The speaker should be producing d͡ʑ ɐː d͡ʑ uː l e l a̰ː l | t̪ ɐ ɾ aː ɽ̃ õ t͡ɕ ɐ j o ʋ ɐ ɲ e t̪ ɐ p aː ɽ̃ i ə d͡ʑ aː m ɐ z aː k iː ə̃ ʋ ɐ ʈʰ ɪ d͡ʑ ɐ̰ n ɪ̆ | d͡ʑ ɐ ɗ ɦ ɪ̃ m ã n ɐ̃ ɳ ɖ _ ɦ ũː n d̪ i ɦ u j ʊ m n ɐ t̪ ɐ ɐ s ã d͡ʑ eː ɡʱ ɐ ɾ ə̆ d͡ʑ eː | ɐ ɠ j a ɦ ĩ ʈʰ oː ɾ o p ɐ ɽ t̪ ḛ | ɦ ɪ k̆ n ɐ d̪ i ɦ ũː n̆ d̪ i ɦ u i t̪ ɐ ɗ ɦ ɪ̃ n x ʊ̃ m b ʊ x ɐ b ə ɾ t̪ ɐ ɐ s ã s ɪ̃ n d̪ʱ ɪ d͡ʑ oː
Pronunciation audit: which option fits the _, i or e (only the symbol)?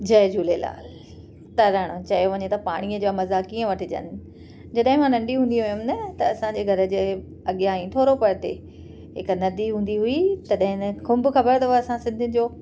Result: i